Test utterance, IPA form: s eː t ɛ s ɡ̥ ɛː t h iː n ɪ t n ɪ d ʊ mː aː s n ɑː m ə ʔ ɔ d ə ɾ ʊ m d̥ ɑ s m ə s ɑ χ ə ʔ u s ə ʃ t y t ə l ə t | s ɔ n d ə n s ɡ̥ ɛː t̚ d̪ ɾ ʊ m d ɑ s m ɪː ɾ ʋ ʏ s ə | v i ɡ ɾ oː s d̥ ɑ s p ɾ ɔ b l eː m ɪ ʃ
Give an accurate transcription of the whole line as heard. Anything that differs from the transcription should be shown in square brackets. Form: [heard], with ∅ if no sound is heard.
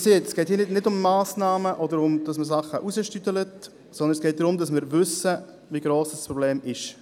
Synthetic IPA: s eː t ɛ s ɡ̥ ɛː t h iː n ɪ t n ɪ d ʊ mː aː s n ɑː m ə ʔ ɔ d ə ɾ ʊ m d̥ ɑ s m ə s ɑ χ ə ʔ u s ə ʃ t y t ə l ə t | s ɔ n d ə n s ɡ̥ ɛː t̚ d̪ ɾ ʊ m d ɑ s m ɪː ɾ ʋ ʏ s ə | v i ɡ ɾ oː s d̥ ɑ s p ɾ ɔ b l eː m ɪ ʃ

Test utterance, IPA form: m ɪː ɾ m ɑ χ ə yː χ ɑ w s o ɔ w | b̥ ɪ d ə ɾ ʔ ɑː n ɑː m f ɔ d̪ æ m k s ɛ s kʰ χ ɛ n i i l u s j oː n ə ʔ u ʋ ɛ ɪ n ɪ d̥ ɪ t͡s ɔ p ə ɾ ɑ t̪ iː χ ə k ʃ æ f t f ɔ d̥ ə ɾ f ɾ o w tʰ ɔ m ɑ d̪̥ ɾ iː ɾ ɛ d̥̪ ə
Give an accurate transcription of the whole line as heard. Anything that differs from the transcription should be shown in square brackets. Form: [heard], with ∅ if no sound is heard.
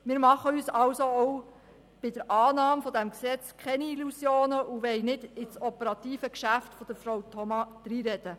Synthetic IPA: m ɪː ɾ m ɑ χ ə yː [s] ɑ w s o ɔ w | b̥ ɪ d ə ɾ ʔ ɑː n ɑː m f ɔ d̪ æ m k s ɛ [t͡s] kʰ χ ɛ n i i l u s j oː n ə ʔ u ʋ ɛ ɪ n ɪ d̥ ɪ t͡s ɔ p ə ɾ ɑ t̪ iː [f] ə k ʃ æ f t f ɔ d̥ ə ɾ f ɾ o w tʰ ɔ m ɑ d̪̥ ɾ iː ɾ ɛ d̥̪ ə

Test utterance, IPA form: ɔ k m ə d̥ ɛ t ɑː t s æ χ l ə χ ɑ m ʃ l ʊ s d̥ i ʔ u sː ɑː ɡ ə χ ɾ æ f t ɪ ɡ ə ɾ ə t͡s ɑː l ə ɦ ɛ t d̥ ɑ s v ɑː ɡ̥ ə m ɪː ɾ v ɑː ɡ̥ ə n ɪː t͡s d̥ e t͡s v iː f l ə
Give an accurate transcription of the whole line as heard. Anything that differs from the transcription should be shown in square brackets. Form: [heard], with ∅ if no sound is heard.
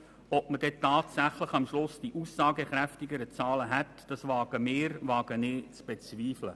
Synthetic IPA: ɔ [p] m ə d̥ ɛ t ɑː t s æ χ l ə χ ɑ m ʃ l ʊ s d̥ i ʔ u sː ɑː ɡ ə χ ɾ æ f t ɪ ɡ ə ɾ ə t͡s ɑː l ə ɦ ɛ t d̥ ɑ s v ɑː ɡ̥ ə m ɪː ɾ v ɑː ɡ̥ ə n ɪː t͡s [b̥] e t͡s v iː f l ə

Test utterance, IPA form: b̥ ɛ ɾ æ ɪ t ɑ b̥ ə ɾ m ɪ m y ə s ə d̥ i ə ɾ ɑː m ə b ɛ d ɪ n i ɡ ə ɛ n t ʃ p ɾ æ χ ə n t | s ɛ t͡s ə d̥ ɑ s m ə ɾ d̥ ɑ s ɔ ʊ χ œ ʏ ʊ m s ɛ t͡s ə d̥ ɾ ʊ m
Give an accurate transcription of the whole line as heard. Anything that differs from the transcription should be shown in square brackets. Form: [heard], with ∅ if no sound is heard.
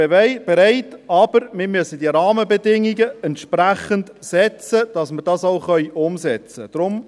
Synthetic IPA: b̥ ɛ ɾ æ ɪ t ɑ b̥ ə ɾ m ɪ m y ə s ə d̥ i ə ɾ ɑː m ə b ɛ d ɪ [ŋ] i ɡ ə ɛ n t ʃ p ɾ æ χ ə n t | s ɛ t͡s ə d̥ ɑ s m ə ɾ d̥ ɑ s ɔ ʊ χ œ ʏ ʊ m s ɛ t͡s ə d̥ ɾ ʊ m

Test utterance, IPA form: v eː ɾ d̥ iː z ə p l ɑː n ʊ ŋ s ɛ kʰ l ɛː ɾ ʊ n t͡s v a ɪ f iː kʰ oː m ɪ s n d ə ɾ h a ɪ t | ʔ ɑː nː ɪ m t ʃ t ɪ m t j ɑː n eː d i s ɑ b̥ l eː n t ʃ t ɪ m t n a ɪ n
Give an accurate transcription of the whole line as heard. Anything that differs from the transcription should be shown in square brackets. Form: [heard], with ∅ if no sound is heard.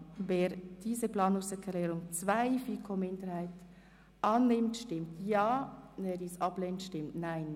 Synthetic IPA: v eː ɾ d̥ iː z ə p l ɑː n ʊ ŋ s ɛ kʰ l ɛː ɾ ʊ [ŋ] t͡s v a ɪ f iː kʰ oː m ɪ [∅] n d ə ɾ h a ɪ t | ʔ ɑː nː ɪ m t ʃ t ɪ m t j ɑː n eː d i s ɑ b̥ l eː n t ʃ t ɪ m t n a ɪ n

